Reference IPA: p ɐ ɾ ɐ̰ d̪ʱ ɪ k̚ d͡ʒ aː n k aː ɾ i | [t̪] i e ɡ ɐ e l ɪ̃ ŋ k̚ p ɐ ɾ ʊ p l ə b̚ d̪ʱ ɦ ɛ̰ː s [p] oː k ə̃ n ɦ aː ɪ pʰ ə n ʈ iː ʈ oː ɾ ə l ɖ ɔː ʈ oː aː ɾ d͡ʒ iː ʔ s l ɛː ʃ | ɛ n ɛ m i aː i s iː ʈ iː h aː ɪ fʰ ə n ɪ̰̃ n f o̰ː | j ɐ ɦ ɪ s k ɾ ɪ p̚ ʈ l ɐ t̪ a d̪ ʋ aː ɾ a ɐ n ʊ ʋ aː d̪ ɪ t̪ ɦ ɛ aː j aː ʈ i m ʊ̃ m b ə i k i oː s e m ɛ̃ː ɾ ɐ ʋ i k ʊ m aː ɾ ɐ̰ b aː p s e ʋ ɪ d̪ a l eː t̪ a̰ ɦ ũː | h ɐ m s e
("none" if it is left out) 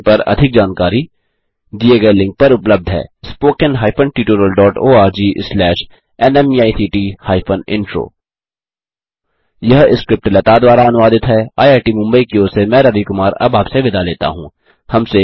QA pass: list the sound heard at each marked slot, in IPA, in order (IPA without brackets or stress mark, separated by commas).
d̪, p